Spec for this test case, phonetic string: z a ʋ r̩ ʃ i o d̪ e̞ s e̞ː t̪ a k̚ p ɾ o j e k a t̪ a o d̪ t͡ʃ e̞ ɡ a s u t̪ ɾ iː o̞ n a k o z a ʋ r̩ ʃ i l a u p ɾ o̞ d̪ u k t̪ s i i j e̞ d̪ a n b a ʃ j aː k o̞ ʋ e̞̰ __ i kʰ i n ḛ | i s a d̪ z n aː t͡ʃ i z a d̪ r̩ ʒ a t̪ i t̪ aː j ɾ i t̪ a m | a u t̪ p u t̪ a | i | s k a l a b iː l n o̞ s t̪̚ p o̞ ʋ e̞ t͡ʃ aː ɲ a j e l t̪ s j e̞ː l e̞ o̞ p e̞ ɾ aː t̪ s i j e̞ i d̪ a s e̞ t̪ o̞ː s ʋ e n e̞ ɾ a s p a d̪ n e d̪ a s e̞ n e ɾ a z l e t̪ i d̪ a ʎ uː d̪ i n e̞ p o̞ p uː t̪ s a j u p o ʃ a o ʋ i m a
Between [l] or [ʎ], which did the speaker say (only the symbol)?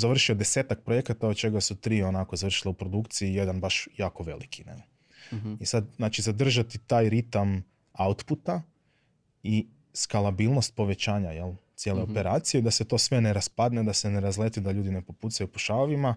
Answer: l